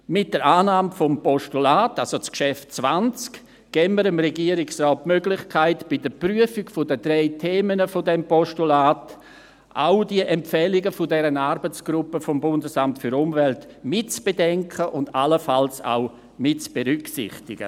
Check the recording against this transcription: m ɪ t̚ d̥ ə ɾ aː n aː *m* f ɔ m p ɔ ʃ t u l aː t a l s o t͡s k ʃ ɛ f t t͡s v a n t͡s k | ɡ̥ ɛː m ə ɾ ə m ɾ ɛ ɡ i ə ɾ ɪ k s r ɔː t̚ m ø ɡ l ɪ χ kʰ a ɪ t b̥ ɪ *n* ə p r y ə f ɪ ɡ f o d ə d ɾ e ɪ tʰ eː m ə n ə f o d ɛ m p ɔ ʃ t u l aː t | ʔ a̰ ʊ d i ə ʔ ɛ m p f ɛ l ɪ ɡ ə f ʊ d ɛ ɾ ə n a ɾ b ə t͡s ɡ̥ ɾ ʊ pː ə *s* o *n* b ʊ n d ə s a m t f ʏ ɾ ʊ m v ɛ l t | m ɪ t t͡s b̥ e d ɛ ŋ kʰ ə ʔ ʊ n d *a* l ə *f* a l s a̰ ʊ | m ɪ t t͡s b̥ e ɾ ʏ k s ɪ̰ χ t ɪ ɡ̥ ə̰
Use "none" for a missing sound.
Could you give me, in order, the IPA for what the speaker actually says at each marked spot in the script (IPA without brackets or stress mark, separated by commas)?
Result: m, d, f, m, a, f